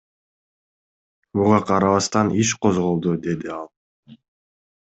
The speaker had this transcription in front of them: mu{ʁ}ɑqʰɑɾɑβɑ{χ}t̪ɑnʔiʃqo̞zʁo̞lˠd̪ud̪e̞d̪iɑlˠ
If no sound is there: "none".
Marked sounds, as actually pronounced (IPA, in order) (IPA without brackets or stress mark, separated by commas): ʁ, s